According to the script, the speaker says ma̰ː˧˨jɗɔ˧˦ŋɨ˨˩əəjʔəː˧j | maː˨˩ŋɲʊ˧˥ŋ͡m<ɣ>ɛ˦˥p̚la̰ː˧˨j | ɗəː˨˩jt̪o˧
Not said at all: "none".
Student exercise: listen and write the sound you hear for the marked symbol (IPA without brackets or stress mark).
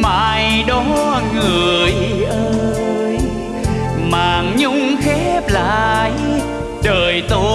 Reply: x